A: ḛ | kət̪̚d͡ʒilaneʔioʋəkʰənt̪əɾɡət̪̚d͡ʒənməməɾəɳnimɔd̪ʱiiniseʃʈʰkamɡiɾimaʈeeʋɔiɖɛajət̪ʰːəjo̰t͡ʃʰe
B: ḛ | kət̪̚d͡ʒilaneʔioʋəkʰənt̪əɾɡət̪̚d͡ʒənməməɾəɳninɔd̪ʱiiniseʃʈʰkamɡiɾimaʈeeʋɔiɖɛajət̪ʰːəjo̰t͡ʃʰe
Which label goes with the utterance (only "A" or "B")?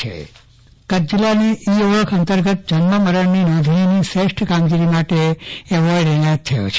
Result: B